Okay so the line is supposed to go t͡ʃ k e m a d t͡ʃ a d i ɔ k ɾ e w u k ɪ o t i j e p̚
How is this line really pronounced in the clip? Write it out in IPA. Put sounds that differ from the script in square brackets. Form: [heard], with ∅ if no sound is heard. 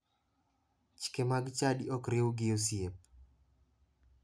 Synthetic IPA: t͡ʃ k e m a [ɡ] t͡ʃ a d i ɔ k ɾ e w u [ɡ] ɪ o [s] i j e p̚